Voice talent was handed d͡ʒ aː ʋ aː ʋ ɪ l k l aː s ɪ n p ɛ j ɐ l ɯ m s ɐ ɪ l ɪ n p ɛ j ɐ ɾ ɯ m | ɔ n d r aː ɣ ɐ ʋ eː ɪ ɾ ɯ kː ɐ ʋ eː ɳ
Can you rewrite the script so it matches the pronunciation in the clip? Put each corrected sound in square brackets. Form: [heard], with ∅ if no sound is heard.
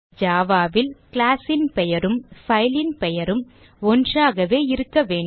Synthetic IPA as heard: d͡ʒ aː ʋ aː ʋ ɪ l k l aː s ɪ n p ɛ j ɐ [ɾ] ɯ m [f] ɐ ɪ l ɪ n p ɛ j ɐ ɾ ɯ m | ɔ n d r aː ɣ ɐ ʋ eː ɪ ɾ ɯ kː ɐ ʋ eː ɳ